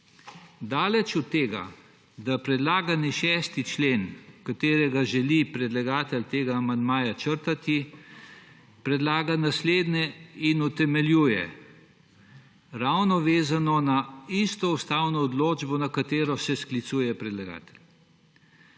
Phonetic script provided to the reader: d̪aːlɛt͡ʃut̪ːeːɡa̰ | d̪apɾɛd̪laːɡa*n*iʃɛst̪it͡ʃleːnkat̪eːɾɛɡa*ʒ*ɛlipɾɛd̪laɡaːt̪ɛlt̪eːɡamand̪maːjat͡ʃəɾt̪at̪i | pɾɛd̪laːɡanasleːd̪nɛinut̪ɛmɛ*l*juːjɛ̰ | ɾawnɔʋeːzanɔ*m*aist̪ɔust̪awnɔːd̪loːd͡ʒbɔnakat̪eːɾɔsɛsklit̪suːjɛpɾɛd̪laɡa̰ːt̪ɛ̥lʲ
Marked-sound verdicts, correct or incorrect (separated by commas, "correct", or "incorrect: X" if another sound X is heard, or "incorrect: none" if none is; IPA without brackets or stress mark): correct, correct, correct, incorrect: n